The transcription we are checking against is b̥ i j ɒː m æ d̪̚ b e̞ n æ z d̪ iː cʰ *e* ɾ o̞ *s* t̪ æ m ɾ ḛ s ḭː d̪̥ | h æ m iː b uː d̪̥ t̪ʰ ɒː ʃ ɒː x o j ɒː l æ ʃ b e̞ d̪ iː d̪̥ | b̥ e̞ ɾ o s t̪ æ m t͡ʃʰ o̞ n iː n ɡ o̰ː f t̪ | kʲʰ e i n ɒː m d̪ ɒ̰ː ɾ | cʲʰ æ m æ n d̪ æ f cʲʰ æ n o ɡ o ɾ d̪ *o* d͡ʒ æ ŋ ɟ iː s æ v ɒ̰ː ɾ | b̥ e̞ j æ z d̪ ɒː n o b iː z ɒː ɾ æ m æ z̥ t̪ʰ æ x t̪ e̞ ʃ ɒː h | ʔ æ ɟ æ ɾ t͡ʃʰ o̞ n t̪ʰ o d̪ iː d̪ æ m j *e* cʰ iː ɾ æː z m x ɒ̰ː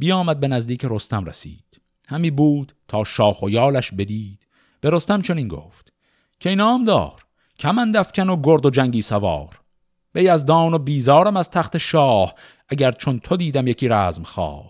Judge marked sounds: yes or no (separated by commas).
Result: yes, yes, yes, yes